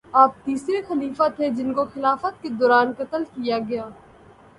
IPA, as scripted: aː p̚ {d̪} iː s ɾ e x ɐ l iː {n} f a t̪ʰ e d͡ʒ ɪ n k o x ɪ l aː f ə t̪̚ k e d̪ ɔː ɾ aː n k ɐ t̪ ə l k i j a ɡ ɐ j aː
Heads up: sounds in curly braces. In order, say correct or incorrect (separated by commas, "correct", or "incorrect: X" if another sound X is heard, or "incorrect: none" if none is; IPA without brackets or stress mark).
incorrect: t̪, incorrect: none